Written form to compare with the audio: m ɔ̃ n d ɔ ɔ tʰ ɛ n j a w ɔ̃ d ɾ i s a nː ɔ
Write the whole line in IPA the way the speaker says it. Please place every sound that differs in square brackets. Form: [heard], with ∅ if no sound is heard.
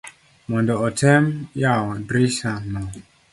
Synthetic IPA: m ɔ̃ n d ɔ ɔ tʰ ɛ [m] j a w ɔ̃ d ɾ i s a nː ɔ

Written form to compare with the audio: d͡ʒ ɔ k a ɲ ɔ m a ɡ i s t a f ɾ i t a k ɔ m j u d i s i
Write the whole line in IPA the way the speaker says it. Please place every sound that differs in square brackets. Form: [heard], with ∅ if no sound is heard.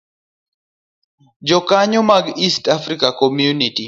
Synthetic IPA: d͡ʒ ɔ k a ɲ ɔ m a ɡ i s t a f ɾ i [k] a k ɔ m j u [n] i [t] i

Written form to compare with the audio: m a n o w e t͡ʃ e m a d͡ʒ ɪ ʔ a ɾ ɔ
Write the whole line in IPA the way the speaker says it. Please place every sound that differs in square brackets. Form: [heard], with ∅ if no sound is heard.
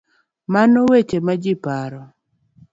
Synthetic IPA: m a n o w e t͡ʃ e m a d͡ʒ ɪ [p] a ɾ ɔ

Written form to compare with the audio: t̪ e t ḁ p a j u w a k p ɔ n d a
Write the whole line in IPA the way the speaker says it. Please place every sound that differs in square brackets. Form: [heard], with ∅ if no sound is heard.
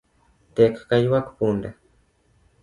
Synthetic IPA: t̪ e [k] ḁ [k] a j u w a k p [u] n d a

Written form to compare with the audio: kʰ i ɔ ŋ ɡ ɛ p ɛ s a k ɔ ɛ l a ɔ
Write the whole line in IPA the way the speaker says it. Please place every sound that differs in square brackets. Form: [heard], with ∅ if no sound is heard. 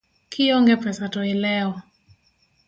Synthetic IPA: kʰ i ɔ ŋ ɡ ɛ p ɛ s a [t] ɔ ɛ l [ɛ] ɔ

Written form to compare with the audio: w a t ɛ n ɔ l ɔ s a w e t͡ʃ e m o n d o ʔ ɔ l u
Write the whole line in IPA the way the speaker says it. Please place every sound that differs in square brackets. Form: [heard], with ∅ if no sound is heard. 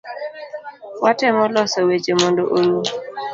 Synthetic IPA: w a t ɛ [m] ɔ l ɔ s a w e t͡ʃ e m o n d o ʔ [o] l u

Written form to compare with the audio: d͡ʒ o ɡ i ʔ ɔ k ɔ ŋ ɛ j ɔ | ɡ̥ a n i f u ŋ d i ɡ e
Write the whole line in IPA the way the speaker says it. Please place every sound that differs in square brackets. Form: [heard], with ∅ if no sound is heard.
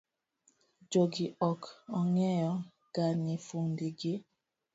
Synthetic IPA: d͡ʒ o ɡ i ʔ ɔ k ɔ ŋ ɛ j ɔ | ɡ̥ a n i f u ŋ d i ɡ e

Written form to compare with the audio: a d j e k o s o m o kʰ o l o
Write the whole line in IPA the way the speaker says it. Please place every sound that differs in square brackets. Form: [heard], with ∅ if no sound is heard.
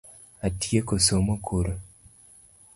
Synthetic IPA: a [t] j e k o s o m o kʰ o [ɾ] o

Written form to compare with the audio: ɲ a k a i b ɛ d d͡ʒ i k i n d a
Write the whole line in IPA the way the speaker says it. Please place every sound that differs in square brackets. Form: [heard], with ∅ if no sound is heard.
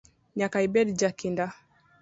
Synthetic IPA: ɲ a k a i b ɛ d d͡ʒ [a] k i n d a

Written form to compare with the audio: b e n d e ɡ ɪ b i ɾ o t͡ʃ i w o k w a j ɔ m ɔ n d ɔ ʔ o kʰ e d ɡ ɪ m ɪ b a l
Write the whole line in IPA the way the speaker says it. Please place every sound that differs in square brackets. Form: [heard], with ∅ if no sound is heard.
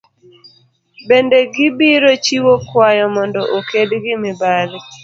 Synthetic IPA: b e n d e ɡ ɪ b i ɾ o t͡ʃ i w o k w a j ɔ m ɔ n d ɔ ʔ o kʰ e d ɡ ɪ m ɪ b a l

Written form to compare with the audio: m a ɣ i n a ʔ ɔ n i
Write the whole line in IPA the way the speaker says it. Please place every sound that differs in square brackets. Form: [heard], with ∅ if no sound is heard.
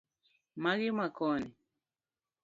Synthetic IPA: m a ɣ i [m] a [k] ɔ n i

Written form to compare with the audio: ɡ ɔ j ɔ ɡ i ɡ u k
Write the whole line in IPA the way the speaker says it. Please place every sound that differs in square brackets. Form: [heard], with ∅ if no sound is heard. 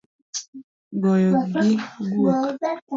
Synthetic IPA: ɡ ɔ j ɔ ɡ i ɡ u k

